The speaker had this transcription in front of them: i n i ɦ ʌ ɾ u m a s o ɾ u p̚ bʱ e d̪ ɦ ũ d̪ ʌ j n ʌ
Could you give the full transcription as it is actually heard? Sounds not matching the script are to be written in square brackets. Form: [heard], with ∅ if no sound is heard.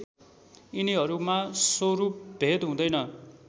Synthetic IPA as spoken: i n i ɦ ʌ ɾ u m a s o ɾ u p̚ bʱ e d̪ ɦ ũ d̪ ʌ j n ʌ